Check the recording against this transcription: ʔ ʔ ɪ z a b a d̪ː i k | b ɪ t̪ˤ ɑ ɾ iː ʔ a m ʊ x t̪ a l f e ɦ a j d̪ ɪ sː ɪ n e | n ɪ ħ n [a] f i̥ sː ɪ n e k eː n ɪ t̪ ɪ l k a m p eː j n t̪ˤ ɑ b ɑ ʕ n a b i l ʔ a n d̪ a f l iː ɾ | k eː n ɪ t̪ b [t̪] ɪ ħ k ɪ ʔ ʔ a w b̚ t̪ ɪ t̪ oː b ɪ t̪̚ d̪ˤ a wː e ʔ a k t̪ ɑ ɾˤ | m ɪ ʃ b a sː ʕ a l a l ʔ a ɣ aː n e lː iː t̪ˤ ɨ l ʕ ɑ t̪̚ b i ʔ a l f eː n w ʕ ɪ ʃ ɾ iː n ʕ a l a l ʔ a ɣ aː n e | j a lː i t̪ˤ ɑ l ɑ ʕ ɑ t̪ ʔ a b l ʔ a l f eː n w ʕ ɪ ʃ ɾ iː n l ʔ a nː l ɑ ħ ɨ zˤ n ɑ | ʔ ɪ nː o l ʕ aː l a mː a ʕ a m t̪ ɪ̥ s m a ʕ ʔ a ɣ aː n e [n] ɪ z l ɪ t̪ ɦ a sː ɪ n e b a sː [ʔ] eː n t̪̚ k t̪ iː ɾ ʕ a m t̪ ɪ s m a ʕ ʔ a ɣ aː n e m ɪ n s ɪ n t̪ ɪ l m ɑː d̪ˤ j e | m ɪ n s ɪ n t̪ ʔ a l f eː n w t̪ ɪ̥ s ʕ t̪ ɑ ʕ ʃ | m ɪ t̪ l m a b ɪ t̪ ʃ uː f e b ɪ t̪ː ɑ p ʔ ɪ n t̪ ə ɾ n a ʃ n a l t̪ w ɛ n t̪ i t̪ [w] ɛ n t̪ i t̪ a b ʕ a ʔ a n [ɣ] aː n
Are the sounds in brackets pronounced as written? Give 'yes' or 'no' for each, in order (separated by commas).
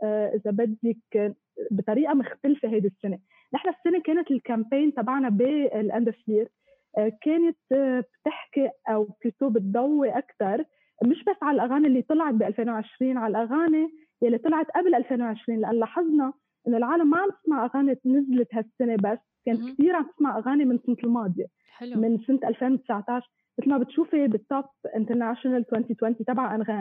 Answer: yes, yes, yes, no, yes, yes